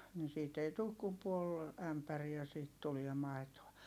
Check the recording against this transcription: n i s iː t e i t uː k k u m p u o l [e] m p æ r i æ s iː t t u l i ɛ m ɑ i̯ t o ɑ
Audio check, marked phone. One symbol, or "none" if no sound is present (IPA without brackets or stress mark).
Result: æ